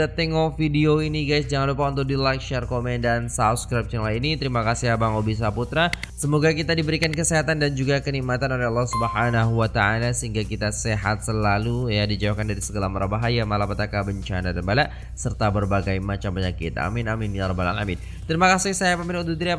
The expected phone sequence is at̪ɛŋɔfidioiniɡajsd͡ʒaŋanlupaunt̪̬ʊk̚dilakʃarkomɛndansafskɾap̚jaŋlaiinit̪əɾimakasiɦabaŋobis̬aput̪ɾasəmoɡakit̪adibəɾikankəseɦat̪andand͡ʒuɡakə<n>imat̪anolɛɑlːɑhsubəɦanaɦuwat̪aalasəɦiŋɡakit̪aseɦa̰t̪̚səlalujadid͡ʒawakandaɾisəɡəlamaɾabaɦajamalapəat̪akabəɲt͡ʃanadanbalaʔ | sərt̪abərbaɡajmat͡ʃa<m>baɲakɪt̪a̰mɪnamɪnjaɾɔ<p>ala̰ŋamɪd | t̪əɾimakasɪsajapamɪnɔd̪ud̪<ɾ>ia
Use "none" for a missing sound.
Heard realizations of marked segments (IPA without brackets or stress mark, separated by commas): n, m, b, ɾ